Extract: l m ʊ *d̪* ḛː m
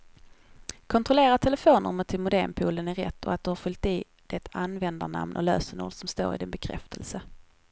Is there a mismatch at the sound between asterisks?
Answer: no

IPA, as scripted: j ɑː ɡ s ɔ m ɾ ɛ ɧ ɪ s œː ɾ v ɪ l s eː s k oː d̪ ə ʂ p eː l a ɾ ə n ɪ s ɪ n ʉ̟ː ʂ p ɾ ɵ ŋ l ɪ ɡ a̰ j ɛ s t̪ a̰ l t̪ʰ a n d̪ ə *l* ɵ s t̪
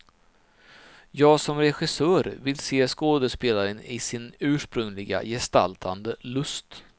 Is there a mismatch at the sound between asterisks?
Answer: no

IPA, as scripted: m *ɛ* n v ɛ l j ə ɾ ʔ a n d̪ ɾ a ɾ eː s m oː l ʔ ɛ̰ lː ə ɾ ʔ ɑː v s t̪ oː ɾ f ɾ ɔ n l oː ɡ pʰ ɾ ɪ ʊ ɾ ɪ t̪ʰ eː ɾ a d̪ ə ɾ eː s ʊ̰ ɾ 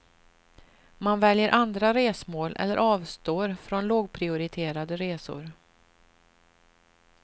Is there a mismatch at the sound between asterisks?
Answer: yes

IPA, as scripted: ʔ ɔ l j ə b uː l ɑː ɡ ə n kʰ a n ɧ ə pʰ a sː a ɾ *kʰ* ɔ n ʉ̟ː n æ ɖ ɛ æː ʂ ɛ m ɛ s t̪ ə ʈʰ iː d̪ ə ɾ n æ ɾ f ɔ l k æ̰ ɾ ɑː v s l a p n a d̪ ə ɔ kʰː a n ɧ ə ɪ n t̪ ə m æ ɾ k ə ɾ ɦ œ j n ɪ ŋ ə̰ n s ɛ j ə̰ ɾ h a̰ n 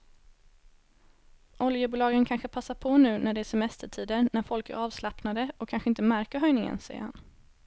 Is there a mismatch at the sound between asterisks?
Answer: yes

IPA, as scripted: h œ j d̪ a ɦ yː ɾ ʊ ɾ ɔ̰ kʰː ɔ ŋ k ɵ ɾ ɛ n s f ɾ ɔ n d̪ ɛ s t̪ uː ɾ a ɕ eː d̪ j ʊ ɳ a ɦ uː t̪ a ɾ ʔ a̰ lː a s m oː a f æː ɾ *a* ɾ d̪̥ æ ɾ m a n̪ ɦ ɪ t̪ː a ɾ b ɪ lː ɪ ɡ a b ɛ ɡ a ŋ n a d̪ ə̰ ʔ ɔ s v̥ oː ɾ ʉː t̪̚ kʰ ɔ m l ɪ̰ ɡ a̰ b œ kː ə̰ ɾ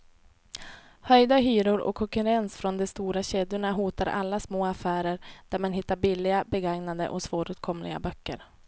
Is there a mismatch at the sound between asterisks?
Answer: yes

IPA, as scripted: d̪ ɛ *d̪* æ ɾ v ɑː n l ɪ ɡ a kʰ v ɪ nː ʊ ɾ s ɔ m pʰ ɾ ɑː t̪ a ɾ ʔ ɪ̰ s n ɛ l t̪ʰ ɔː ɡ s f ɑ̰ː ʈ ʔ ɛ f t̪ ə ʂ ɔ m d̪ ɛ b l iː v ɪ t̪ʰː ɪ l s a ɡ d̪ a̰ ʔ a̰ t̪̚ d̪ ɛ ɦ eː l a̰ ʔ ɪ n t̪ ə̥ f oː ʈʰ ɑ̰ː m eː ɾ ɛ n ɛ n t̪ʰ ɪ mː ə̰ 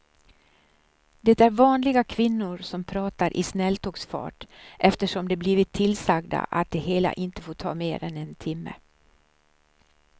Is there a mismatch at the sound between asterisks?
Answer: yes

